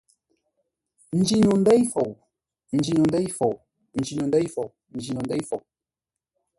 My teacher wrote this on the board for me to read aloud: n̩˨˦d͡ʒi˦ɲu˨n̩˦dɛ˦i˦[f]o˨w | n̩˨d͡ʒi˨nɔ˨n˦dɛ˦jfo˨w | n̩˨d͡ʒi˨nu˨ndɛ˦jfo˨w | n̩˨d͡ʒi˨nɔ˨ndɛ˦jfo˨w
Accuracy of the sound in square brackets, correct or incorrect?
correct